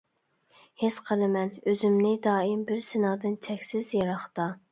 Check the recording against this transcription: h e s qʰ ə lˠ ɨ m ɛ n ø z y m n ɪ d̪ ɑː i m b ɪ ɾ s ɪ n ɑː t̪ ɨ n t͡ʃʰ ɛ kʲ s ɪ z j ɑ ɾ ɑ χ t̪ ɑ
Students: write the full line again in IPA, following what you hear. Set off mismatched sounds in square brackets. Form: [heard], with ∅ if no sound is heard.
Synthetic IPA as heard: h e s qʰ ə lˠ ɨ m ɛ n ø z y m n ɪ d̪ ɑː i m b ɪ ɾ s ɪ n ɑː [d̪] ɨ n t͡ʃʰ ɛ kʲ s ɪ z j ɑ ɾ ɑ χ t̪ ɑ